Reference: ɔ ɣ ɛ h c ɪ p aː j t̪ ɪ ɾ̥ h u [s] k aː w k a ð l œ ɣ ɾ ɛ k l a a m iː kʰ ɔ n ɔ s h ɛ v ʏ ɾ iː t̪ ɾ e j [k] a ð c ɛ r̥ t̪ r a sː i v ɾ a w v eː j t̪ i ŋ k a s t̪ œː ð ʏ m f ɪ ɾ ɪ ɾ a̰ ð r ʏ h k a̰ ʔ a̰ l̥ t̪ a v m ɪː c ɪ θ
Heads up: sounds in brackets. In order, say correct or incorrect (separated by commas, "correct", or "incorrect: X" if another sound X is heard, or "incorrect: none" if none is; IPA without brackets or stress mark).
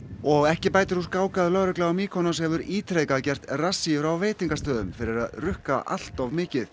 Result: correct, correct